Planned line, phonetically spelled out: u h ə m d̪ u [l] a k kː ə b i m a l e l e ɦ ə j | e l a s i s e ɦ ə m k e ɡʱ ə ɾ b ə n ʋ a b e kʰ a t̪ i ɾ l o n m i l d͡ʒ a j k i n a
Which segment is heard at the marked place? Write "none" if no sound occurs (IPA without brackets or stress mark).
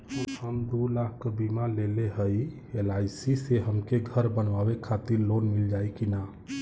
l